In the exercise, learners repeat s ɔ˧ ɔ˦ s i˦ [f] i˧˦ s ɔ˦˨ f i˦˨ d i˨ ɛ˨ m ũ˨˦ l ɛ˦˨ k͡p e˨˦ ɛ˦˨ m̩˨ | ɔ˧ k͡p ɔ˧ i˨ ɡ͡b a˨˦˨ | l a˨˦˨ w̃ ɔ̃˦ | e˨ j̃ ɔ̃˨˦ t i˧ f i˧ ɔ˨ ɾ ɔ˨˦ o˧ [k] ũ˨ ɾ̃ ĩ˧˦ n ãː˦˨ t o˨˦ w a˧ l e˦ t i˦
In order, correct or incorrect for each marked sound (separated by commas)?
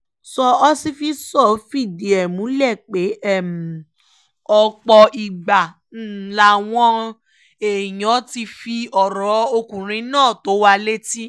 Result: correct, correct